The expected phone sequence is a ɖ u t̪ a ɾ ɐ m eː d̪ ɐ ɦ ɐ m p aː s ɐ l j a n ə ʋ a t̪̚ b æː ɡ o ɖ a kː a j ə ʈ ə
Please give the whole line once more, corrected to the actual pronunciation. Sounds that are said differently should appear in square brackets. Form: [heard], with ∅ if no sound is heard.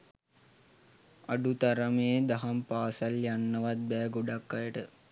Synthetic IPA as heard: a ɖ u t̪ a ɾ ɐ m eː d̪ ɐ ɦ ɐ m p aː s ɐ l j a [nː] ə ʋ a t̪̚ b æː ɡ o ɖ a kː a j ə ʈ ə